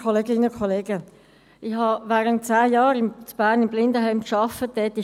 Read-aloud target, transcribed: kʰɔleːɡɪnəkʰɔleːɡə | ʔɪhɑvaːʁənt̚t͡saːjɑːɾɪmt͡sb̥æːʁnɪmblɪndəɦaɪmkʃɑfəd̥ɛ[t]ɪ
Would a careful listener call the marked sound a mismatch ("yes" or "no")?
no